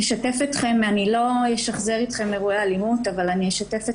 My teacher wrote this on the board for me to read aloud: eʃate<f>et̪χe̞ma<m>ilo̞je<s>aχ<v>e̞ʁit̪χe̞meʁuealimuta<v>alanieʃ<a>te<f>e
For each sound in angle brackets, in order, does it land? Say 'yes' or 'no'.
yes, no, no, no, yes, yes, yes

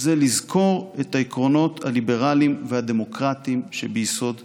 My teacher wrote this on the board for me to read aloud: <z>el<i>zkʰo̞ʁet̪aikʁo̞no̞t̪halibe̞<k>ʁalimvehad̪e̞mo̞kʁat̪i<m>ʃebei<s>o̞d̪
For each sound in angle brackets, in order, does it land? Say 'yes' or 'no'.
yes, yes, no, yes, yes

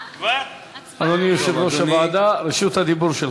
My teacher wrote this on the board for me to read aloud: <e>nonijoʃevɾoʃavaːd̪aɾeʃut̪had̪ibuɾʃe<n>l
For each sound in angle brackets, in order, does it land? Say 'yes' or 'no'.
no, no

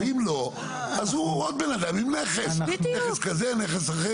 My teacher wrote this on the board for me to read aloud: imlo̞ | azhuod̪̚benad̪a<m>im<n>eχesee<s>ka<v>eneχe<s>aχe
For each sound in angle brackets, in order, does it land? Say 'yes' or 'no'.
yes, yes, yes, no, yes

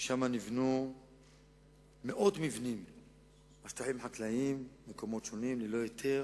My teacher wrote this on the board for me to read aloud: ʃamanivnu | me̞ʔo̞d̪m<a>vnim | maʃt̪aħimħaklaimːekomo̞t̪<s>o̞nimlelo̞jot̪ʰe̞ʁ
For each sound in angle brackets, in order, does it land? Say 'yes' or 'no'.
no, no

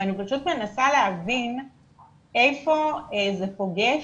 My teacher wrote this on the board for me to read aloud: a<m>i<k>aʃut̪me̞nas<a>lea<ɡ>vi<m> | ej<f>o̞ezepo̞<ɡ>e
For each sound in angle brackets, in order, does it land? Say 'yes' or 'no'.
no, no, yes, no, no, yes, yes

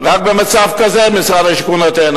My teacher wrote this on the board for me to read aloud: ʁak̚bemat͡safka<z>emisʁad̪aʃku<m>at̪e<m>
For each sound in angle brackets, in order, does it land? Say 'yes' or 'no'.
yes, no, no

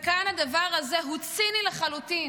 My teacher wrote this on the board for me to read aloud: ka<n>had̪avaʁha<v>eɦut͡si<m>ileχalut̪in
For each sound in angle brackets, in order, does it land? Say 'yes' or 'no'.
yes, no, no

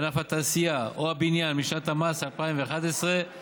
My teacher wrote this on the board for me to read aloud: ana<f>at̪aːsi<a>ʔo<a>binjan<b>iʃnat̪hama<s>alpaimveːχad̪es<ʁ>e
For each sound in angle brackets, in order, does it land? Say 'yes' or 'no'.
yes, yes, yes, no, yes, yes

